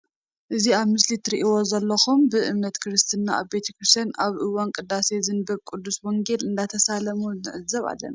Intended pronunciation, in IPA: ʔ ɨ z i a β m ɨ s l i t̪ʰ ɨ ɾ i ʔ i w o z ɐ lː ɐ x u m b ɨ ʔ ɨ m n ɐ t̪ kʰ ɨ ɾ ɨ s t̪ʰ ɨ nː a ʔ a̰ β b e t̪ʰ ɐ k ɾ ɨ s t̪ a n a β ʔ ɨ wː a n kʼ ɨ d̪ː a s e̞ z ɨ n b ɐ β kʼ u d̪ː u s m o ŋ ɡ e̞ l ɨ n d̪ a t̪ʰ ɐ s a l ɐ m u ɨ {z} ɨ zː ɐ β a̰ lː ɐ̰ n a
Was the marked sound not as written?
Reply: yes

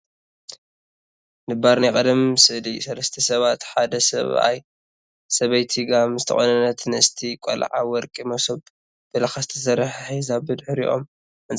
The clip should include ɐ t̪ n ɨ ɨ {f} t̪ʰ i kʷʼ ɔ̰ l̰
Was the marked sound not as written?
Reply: yes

